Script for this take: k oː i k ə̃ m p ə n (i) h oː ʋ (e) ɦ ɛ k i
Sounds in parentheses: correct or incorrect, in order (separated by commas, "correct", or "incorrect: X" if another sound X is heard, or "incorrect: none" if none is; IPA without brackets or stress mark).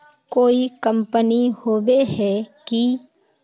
correct, correct